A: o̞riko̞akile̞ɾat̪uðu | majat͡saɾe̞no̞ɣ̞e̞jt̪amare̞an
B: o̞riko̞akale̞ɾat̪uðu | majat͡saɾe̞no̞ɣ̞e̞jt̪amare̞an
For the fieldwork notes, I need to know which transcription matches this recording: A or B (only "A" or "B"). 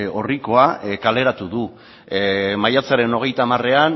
B